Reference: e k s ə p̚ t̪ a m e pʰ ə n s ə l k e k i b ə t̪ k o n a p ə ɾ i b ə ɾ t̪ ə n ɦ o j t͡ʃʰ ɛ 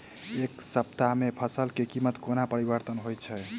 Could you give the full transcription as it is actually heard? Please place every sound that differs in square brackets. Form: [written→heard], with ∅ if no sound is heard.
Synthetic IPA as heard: e k s ə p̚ t̪ a m e pʰ ə [n→∅] s ə l k e k i [b→m] ə t̪ k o n a p ə ɾ i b ə ɾ t̪ ə n ɦ o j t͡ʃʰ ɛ